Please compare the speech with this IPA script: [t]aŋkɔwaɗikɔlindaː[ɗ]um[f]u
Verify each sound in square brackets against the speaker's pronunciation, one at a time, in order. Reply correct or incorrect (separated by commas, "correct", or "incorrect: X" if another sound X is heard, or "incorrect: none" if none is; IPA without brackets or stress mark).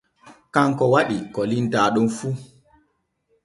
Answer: incorrect: k, correct, correct